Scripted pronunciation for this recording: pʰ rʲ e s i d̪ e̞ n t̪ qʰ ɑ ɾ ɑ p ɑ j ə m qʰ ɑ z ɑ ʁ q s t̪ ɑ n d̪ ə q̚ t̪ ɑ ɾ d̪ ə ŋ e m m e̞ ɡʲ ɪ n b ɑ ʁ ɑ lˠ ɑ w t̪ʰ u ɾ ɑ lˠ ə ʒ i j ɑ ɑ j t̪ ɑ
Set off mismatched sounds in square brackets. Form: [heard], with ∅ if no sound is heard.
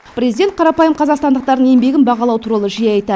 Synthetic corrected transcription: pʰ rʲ e [z] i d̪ e̞ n t̪ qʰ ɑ ɾ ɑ p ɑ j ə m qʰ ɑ z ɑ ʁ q s t̪ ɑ n d̪ ə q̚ t̪ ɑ ɾ d̪ ə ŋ e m [b] e̞ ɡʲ ɪ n b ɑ ʁ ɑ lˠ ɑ w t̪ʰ u ɾ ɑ lˠ ə ʒ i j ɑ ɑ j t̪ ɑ